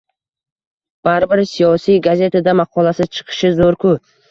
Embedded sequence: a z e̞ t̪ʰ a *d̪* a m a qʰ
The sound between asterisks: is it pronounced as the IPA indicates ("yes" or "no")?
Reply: yes